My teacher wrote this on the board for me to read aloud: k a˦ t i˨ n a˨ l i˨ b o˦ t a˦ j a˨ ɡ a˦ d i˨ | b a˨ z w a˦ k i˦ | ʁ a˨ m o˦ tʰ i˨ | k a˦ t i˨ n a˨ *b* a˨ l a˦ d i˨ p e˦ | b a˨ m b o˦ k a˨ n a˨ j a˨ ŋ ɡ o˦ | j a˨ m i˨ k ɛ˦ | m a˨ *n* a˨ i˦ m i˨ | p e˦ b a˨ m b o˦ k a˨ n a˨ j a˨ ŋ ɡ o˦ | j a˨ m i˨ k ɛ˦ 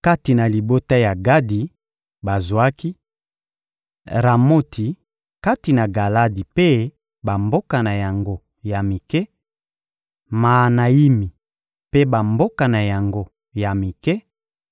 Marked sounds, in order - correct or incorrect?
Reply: incorrect, correct

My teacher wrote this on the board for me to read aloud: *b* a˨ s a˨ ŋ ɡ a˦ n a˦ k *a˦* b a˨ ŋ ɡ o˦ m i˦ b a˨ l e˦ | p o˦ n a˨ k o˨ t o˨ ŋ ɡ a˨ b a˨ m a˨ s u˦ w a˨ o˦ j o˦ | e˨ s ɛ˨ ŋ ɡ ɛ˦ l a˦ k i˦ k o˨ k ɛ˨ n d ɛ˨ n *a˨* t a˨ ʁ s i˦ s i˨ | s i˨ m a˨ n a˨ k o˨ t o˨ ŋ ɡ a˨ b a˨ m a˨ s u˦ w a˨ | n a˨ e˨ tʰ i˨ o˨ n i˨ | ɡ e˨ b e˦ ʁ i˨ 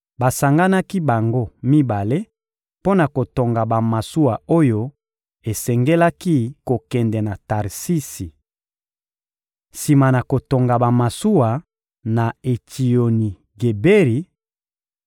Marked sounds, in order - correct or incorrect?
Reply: correct, incorrect, correct

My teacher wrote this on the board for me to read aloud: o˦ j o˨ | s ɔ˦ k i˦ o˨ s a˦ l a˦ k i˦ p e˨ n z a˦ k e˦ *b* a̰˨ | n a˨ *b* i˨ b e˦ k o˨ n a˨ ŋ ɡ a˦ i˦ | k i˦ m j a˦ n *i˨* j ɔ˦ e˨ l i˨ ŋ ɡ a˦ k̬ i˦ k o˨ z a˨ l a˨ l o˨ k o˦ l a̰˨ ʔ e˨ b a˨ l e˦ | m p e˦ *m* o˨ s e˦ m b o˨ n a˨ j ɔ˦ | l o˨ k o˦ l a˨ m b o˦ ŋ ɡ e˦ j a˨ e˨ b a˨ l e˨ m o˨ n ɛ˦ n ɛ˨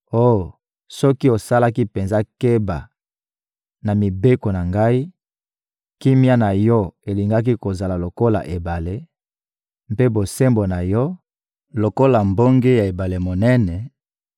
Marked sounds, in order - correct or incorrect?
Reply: correct, incorrect, incorrect, incorrect

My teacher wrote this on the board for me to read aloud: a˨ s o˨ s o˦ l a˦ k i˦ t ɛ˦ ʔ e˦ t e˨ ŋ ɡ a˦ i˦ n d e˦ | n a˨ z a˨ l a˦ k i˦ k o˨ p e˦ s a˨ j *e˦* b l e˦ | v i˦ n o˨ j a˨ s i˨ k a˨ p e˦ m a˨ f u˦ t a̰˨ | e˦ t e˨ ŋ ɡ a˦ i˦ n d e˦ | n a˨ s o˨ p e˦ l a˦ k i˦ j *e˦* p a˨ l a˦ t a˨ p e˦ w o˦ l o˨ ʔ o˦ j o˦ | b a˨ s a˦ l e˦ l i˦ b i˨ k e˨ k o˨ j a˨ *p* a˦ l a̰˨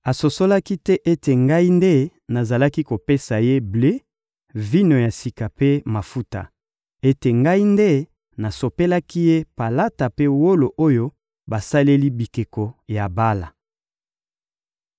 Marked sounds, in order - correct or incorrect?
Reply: correct, correct, incorrect

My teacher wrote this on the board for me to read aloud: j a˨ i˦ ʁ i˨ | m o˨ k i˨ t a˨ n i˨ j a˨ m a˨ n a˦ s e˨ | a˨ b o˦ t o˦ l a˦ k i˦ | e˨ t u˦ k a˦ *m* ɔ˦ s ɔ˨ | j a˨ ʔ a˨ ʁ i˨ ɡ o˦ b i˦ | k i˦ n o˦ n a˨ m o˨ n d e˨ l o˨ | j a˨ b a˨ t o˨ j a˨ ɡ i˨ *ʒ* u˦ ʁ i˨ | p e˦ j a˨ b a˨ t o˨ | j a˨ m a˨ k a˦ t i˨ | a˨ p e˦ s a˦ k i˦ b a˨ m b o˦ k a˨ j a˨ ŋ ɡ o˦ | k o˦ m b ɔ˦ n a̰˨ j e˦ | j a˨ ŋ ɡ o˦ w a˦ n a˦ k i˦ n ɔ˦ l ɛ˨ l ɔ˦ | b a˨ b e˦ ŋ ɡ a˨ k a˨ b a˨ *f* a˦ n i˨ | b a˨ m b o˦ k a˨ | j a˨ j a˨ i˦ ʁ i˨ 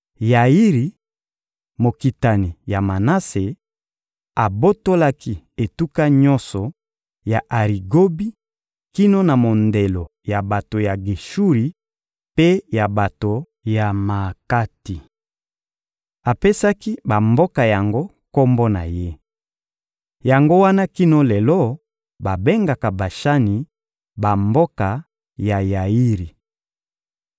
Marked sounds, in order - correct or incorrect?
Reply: incorrect, incorrect, incorrect

